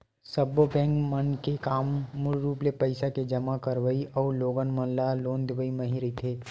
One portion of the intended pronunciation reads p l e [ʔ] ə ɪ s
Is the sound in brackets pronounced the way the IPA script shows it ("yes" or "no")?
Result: no